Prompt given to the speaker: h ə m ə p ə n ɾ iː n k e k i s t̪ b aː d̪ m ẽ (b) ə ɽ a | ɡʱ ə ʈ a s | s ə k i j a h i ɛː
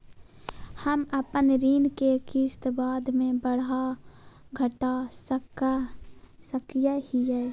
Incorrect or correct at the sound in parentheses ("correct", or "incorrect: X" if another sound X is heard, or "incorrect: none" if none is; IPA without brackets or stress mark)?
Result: correct